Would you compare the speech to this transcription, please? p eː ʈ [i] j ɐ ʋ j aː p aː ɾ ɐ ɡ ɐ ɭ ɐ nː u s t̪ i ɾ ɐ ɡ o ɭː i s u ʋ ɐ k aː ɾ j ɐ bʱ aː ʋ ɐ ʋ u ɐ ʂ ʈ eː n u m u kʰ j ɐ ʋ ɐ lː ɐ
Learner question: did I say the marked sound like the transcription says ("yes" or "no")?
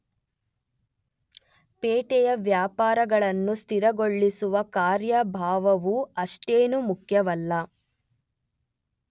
no